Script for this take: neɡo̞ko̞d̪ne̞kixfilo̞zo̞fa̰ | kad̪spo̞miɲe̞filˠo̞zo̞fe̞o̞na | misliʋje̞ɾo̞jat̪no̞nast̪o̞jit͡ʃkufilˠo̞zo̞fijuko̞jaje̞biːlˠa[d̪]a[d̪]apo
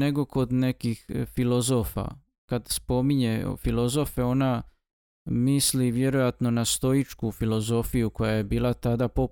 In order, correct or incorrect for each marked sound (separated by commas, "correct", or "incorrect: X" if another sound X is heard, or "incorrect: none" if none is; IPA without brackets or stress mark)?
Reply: incorrect: t̪, correct